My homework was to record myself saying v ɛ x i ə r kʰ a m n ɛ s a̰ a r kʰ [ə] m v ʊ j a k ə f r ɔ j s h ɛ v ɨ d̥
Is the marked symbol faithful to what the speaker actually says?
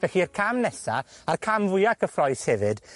no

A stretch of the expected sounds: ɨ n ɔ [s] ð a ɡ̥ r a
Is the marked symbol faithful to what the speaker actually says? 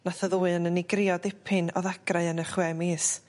no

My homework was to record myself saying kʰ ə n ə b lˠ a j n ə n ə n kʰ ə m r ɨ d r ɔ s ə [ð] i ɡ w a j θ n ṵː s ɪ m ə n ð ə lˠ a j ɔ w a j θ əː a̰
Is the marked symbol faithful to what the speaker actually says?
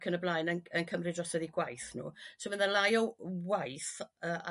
yes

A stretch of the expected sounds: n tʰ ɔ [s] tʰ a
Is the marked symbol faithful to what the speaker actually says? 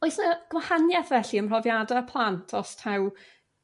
yes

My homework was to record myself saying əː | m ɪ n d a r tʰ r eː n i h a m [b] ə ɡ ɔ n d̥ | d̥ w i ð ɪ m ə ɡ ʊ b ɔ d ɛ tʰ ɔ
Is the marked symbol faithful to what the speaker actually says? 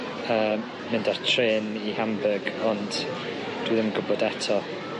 yes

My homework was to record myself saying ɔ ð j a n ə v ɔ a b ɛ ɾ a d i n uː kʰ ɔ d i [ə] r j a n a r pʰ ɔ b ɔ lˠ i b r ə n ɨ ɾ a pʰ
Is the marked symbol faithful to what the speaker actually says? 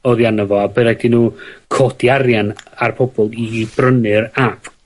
no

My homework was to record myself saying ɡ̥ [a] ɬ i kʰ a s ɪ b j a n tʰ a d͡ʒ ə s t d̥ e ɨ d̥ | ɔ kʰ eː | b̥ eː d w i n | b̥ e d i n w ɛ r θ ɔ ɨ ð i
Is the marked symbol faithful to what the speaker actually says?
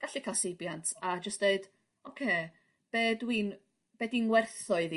yes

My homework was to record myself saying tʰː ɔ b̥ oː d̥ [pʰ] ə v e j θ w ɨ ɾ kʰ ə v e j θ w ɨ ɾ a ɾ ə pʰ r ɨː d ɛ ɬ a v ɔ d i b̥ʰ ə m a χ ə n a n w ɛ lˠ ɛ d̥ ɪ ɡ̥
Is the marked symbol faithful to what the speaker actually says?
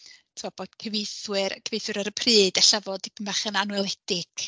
no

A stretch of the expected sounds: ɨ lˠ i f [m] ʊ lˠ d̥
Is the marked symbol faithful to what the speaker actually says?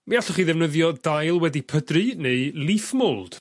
yes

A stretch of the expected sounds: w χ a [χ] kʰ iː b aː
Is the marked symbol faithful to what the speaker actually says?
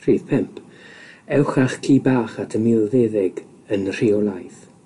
yes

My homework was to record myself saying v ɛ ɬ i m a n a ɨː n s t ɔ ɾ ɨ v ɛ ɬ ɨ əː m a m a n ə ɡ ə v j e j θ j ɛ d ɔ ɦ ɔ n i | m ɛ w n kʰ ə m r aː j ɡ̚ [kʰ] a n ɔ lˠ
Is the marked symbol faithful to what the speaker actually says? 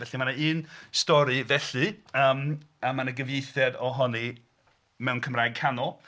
yes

